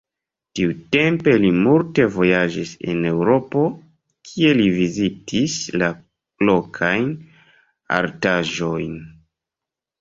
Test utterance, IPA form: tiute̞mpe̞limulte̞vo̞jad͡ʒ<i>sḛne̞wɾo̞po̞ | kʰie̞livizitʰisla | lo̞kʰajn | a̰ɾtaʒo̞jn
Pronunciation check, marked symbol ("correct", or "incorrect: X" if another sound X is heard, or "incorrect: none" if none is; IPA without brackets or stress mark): correct